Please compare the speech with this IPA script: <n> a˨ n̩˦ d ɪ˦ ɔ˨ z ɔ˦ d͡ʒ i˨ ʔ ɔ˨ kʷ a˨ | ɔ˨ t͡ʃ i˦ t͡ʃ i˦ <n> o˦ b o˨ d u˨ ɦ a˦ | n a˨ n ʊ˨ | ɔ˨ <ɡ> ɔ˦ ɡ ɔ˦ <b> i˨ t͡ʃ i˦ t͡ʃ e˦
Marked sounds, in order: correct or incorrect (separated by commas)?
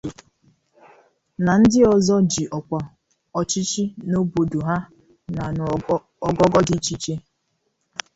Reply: correct, correct, correct, incorrect